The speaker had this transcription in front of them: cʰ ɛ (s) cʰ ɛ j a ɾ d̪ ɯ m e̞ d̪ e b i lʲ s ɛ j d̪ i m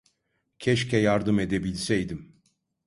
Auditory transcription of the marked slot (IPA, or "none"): ʃ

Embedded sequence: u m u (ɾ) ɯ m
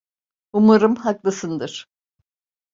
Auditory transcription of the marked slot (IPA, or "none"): ɾ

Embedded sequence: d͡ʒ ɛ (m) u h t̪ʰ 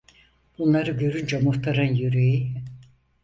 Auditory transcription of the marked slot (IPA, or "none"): m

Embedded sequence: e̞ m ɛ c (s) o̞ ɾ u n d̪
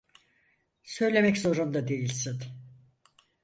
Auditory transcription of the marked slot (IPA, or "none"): z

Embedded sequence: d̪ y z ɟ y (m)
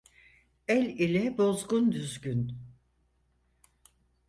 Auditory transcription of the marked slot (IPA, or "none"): n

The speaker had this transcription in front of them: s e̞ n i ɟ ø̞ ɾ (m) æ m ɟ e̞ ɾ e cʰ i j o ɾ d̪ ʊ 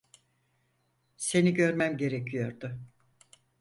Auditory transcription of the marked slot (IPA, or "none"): m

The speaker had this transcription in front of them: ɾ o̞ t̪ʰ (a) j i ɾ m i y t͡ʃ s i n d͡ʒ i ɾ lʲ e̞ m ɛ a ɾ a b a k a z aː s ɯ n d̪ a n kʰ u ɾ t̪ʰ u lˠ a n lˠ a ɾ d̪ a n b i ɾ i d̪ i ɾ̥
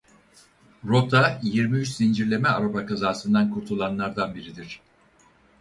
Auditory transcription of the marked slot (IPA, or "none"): a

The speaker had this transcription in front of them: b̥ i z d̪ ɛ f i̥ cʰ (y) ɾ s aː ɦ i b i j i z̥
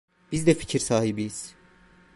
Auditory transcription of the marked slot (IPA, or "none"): i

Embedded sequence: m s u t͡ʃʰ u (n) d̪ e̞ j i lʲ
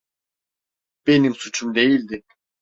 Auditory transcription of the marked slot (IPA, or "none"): m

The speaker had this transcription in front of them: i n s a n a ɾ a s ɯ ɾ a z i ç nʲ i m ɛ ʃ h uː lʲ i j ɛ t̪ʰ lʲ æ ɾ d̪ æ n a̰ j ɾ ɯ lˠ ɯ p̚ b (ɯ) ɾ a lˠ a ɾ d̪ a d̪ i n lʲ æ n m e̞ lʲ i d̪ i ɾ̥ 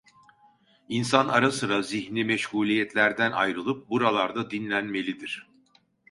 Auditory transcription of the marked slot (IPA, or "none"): u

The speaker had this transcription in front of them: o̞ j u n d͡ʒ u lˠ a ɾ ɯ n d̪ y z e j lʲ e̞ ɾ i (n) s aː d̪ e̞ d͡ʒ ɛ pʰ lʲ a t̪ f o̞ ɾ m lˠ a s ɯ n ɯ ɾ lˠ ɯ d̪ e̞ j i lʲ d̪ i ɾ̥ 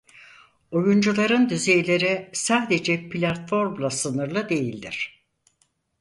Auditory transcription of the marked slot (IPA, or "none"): none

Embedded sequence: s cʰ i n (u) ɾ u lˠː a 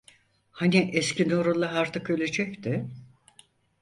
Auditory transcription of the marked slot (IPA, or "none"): o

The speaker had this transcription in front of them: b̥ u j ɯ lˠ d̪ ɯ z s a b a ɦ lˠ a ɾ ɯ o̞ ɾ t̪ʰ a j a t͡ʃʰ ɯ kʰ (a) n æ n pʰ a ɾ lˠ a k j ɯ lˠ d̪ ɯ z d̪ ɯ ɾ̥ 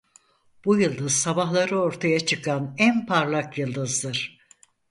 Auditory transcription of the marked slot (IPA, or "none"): a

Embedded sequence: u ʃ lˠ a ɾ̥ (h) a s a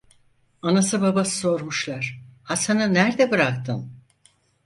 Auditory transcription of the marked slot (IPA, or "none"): h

